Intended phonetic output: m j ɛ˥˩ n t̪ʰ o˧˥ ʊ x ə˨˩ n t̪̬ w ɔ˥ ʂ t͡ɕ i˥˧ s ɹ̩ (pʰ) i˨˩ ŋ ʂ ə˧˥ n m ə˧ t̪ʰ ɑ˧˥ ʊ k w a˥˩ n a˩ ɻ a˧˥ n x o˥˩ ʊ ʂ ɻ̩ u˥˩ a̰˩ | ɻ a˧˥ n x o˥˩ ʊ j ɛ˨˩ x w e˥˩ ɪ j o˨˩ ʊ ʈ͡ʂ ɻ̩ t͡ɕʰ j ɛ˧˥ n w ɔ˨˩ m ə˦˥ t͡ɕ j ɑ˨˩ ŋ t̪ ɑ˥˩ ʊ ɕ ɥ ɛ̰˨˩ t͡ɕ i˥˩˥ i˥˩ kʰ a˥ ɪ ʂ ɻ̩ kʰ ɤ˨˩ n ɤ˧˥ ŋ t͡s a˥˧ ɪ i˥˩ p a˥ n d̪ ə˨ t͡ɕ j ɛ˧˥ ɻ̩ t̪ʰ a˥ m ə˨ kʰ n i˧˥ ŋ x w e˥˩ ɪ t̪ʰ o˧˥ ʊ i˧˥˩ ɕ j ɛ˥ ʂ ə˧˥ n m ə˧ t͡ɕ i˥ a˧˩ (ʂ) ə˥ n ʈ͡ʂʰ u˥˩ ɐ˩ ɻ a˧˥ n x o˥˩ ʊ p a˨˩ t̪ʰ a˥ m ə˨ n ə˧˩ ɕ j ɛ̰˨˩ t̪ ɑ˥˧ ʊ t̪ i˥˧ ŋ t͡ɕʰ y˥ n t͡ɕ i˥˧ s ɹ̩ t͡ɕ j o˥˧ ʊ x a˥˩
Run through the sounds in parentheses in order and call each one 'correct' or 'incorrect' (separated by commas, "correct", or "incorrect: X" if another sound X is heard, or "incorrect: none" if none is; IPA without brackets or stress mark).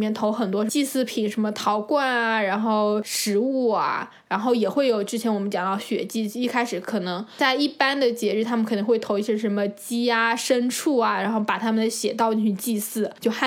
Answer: correct, correct